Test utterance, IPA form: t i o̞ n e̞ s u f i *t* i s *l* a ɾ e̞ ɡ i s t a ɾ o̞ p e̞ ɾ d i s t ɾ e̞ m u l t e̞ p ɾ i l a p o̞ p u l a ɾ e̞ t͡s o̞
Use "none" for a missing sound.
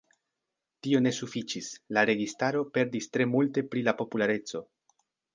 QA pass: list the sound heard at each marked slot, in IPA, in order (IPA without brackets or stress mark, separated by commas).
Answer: t͡ʃ, l